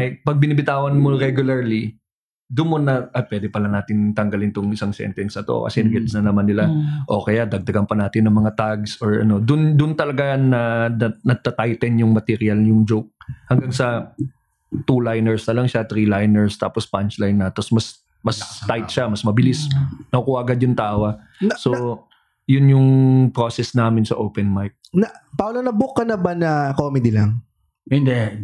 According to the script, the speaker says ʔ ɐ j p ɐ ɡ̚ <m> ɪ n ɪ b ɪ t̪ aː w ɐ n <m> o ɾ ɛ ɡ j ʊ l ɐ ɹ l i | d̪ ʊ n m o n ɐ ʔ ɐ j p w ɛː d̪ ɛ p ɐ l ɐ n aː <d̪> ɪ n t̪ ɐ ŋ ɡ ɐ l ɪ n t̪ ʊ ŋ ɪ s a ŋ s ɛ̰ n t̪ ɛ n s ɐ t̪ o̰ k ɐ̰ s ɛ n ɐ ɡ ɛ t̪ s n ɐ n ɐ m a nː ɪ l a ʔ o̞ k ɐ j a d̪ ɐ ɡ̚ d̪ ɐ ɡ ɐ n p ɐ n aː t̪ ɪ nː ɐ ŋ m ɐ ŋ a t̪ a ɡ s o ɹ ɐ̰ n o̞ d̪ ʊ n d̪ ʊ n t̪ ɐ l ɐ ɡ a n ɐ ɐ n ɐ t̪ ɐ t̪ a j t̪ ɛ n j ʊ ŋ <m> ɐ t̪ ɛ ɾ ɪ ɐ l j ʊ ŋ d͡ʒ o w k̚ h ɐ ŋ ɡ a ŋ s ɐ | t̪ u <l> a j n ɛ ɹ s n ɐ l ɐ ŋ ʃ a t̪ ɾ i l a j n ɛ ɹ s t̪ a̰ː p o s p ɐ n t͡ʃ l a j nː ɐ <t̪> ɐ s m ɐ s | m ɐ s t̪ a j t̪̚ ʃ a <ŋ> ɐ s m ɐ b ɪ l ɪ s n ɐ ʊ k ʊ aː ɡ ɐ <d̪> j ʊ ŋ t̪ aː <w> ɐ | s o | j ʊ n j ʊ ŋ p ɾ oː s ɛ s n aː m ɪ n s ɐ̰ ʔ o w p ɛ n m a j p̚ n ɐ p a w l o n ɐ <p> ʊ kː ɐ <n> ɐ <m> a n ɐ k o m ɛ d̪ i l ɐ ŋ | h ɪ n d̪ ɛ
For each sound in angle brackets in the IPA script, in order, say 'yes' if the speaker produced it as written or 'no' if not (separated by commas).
no, yes, no, yes, yes, yes, no, yes, yes, no, yes, no